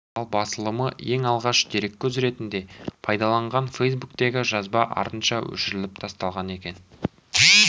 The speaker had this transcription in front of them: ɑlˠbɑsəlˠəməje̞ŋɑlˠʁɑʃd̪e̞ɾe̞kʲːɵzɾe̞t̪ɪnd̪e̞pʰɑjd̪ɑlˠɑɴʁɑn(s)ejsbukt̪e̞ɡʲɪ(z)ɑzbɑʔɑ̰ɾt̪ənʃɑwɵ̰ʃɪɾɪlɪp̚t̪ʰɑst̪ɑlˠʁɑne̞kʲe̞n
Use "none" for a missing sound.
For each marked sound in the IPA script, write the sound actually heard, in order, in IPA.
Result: f, ʒ

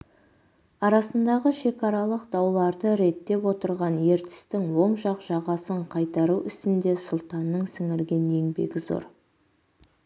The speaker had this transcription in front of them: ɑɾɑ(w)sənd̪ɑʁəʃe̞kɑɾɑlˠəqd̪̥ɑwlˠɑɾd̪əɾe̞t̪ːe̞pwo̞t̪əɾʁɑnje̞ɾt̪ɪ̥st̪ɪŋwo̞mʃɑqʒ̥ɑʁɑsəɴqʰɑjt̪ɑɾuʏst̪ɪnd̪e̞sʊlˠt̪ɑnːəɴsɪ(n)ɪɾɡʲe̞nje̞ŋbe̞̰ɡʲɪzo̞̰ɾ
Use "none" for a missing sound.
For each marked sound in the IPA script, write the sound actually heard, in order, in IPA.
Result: none, ŋ

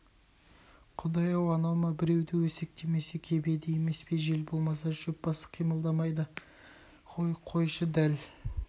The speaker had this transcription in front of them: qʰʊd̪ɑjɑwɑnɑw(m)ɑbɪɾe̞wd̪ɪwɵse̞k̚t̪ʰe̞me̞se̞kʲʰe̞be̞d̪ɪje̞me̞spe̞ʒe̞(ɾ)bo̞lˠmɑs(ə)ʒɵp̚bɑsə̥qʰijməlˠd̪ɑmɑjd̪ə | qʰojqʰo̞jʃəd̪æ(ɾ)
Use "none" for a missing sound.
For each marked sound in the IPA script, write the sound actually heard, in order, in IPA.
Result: m, l, ɑ, l

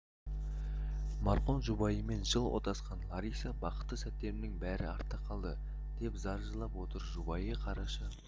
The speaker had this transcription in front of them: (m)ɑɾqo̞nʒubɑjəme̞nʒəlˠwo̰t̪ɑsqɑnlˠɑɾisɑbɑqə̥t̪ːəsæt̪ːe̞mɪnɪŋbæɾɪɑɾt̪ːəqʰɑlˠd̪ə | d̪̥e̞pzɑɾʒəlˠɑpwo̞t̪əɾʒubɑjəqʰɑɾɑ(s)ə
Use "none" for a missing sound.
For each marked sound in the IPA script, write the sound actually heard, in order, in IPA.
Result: m, ʃ

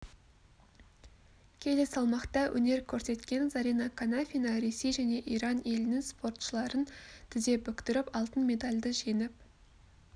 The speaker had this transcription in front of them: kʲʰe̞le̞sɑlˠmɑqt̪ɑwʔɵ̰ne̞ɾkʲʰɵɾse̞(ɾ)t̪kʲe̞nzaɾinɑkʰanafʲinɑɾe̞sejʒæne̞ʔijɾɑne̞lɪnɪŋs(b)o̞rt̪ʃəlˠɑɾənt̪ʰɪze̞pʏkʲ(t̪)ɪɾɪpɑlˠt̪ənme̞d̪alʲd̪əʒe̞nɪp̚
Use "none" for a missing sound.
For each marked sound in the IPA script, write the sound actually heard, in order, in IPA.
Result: none, p, t̪

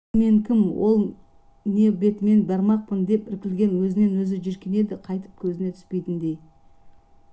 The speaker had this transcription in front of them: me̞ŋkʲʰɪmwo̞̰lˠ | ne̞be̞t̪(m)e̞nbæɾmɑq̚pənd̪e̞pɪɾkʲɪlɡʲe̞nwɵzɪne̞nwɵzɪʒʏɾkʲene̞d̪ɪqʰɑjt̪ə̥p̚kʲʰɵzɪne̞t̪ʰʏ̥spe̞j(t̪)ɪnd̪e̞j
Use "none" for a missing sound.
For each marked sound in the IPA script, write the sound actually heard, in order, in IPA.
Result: m, t̪

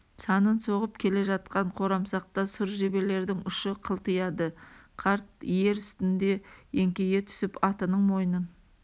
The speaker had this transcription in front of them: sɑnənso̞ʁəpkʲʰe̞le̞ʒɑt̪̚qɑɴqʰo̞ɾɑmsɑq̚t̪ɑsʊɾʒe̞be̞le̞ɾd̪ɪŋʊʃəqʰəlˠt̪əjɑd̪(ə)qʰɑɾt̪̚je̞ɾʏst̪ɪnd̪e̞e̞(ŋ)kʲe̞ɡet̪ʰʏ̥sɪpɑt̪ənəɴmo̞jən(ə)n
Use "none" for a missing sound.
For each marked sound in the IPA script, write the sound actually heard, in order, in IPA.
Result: ə, ŋ, ə

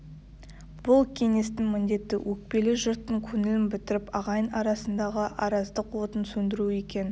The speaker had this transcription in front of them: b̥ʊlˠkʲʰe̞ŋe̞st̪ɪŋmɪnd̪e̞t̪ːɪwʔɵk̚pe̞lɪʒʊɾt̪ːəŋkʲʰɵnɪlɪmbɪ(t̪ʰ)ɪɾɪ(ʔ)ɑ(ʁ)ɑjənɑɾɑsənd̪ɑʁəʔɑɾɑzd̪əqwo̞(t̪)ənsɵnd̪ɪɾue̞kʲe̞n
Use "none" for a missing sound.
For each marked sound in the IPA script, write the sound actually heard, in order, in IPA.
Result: t̪, p, ʁ, t̪

